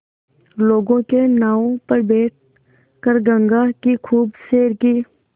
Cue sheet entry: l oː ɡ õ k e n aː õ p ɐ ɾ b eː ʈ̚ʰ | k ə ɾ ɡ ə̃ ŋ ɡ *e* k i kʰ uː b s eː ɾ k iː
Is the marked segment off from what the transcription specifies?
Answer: yes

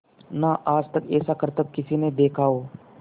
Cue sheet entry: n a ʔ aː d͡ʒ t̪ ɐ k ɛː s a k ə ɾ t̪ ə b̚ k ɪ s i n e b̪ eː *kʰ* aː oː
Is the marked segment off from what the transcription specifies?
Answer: no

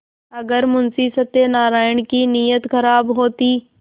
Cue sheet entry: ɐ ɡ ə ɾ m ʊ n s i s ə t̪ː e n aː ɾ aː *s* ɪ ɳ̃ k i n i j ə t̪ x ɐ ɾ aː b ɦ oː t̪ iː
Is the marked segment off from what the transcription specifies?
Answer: yes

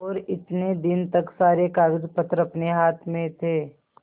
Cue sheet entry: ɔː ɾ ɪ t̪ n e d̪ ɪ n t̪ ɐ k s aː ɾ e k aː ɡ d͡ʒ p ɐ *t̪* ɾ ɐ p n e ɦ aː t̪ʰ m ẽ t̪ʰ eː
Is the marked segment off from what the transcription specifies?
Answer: no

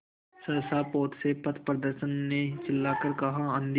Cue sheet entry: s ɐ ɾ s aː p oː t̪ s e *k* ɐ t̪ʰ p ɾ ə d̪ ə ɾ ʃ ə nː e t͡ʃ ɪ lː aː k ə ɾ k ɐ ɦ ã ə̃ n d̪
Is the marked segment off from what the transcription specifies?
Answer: yes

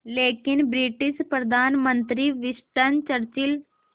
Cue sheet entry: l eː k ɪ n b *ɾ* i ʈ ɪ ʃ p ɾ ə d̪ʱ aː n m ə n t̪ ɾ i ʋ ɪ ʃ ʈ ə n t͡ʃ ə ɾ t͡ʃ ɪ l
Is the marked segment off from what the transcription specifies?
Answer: no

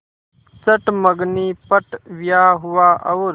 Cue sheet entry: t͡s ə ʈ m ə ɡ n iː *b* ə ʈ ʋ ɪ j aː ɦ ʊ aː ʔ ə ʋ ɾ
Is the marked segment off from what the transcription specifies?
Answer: yes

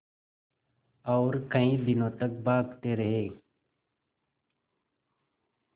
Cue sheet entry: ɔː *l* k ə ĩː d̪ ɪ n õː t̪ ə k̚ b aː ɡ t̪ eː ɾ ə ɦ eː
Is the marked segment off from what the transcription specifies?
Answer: yes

